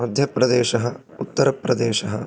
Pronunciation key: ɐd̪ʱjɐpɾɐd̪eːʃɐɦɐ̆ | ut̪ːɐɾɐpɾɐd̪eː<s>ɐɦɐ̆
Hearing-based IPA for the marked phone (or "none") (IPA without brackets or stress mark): ʃ